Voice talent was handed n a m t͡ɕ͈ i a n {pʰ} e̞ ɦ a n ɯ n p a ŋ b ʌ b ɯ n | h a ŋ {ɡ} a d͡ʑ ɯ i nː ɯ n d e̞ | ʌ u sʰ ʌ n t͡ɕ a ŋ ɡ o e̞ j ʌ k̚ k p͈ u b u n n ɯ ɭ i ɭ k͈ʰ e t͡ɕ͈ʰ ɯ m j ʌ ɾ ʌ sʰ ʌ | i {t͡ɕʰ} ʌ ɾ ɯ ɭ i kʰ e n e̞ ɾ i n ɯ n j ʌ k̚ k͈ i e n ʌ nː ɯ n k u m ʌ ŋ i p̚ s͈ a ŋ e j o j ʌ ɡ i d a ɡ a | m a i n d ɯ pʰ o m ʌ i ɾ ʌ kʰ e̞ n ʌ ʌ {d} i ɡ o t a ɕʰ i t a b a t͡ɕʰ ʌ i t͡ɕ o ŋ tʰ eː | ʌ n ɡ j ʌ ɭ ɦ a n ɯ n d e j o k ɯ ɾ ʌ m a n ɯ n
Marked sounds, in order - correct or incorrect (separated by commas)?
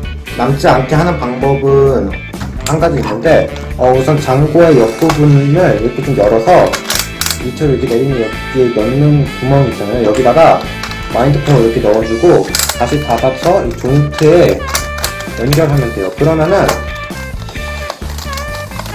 incorrect, correct, correct, incorrect